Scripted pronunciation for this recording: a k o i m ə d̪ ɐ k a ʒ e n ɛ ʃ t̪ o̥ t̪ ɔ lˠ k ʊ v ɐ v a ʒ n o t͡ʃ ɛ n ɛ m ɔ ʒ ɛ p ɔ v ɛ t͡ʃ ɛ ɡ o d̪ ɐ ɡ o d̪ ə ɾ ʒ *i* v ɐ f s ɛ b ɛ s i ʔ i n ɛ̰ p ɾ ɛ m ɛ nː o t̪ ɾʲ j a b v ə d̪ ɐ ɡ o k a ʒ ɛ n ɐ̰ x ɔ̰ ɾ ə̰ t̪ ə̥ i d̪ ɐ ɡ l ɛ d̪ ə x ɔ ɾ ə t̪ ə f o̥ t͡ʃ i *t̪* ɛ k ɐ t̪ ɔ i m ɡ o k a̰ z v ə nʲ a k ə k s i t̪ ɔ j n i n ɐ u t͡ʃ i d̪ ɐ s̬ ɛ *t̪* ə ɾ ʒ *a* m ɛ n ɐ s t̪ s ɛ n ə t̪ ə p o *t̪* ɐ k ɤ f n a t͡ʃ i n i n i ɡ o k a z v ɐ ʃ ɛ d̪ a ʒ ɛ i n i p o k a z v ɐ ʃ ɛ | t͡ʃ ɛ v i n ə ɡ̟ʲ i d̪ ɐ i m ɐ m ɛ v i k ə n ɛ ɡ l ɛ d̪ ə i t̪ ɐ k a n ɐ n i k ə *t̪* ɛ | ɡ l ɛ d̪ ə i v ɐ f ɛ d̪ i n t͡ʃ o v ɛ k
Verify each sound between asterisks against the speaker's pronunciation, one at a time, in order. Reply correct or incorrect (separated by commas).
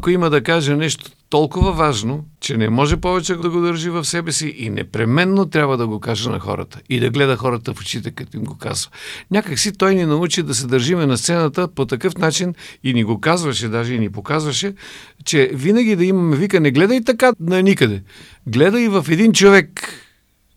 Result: correct, correct, incorrect, incorrect, correct, incorrect